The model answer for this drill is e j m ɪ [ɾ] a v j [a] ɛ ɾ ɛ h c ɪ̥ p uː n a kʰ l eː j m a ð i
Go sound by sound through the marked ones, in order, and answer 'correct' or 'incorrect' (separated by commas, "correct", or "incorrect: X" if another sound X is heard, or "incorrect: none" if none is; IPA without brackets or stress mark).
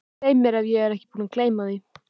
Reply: correct, incorrect: ɛ